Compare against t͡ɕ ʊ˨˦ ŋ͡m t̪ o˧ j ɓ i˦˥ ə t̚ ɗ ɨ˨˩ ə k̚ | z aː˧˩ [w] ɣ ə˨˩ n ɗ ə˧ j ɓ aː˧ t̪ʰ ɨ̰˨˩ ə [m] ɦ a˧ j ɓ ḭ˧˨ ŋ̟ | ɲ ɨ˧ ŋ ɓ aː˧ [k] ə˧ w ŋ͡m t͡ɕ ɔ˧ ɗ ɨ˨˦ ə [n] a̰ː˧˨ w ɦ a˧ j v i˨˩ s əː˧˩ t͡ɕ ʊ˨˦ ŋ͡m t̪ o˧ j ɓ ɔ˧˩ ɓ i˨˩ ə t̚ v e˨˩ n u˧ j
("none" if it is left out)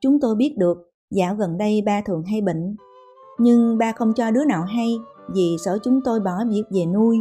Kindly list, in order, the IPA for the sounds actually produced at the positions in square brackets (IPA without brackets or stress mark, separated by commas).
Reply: w, ŋ, x, n